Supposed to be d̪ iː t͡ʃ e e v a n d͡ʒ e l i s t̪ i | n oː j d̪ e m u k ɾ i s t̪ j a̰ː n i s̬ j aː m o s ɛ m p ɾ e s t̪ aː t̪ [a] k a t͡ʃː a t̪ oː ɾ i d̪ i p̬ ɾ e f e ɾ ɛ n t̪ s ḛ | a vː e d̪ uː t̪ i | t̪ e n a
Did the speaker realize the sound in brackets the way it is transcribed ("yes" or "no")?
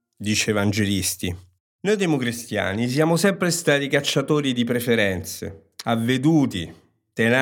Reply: no